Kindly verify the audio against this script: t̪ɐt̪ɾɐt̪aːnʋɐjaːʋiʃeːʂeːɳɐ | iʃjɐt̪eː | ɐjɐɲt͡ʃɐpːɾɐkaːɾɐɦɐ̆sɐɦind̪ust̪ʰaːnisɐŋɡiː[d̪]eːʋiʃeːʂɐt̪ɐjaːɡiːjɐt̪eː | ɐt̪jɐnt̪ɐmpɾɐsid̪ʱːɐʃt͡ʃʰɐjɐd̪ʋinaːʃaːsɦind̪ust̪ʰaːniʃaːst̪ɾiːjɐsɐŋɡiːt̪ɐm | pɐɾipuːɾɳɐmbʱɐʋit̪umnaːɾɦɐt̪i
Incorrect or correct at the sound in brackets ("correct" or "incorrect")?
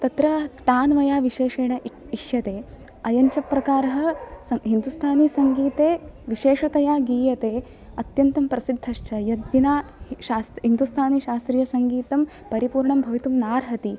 incorrect